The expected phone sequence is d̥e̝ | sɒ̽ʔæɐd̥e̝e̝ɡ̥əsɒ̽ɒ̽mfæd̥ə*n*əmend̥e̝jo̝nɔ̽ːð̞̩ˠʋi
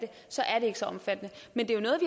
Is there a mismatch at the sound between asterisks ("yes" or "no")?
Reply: no